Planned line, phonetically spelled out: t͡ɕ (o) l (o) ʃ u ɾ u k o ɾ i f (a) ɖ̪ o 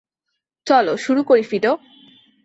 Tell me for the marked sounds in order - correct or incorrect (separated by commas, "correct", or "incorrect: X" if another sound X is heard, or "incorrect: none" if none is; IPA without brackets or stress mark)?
incorrect: ɔ, correct, incorrect: i